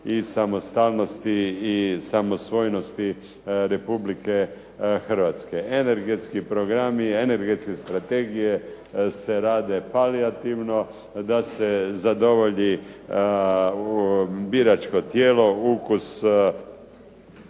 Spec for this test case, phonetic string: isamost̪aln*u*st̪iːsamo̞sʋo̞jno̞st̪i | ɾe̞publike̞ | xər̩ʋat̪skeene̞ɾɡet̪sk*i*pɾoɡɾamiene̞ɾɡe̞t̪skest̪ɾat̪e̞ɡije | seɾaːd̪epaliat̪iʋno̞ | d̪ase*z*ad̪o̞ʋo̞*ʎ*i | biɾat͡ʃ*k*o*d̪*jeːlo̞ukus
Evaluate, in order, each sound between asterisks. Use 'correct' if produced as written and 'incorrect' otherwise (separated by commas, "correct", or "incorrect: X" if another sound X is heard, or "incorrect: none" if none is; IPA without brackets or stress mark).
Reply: incorrect: o, correct, correct, correct, correct, incorrect: t̪